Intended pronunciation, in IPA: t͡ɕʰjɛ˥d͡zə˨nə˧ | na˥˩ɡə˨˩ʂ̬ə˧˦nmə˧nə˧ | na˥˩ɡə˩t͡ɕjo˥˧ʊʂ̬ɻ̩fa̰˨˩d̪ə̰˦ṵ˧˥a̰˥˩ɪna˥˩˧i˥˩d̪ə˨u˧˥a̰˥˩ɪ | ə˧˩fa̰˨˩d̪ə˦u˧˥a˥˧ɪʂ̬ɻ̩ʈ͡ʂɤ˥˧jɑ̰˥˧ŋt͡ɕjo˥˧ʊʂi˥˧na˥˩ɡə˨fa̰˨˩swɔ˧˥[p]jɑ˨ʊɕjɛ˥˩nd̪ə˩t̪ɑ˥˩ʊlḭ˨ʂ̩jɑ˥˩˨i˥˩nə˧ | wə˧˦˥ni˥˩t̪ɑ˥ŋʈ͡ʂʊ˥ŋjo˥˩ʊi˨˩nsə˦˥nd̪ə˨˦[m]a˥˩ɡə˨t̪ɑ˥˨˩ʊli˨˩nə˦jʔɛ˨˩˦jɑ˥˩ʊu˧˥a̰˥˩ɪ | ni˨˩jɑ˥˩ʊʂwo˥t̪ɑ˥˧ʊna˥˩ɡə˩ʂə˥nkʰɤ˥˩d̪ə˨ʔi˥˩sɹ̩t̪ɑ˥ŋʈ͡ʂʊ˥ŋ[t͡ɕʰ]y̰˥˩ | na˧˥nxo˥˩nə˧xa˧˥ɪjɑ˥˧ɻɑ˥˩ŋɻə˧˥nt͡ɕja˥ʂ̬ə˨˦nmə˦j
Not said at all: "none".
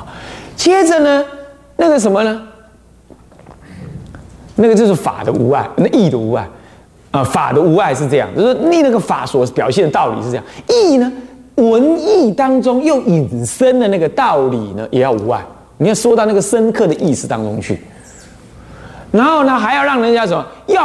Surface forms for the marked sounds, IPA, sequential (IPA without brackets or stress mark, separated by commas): p, n, t͡ɕʰ